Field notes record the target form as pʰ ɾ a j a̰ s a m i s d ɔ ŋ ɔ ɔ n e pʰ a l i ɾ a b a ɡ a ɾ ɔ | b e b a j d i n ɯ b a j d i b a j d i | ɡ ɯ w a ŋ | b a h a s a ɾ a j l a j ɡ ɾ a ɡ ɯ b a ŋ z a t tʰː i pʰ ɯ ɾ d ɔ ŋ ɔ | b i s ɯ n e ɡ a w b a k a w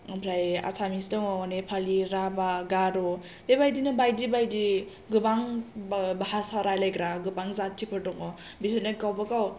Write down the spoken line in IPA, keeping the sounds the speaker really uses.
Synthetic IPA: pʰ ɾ a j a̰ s a m i s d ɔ ŋ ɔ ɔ n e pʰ a l i ɾ a b a ɡ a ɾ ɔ | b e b a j d i n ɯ b a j d i b a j d i | ɡ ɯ b a ŋ | b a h a s a ɾ a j l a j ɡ ɾ a ɡ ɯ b a ŋ z a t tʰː i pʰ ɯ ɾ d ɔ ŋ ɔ | b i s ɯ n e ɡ a w b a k a w